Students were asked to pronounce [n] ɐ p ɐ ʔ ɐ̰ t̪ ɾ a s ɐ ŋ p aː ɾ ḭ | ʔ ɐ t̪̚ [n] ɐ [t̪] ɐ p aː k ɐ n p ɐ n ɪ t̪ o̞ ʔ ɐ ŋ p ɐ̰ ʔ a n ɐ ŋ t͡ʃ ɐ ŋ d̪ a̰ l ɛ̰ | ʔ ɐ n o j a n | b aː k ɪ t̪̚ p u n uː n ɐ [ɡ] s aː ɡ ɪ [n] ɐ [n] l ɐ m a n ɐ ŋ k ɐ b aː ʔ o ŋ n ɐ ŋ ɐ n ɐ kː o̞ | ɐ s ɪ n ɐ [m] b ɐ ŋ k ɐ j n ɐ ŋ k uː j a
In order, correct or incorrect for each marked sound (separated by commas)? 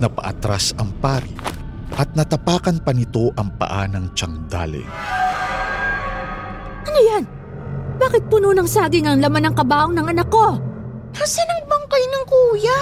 correct, correct, correct, incorrect, incorrect, incorrect, incorrect